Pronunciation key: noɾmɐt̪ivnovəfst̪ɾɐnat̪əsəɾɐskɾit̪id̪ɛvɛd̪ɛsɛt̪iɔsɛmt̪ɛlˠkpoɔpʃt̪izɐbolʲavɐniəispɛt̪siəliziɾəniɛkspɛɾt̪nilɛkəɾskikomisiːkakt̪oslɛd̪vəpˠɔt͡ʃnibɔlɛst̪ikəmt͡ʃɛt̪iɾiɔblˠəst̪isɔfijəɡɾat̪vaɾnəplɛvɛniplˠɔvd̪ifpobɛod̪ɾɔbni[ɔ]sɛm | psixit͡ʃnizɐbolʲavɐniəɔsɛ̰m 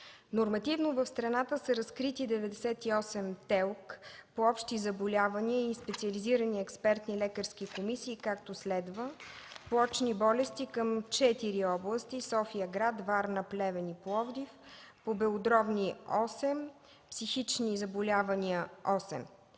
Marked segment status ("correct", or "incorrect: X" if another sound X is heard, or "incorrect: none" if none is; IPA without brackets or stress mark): correct